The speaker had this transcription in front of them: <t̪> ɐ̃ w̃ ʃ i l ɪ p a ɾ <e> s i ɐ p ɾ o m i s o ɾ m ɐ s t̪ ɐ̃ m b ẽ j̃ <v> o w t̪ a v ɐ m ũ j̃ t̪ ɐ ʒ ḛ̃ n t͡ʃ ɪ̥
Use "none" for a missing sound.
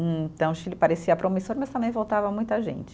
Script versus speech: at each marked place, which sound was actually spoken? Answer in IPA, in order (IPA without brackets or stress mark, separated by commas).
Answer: t̪, e, v